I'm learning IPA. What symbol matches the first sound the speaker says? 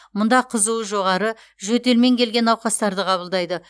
m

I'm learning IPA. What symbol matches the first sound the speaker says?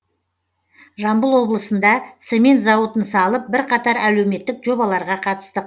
ʒ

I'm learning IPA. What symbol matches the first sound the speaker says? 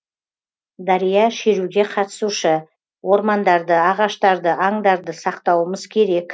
d̪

